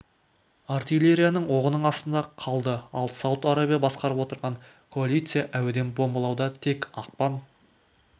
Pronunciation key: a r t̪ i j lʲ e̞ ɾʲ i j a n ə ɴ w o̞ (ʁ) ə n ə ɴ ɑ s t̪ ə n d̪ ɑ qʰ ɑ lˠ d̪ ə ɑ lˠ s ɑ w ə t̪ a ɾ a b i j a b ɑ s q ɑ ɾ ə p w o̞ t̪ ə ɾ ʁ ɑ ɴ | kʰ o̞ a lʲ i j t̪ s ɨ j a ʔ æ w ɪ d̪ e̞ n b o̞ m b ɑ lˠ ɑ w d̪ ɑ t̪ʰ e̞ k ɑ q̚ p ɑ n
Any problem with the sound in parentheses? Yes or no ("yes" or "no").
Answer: no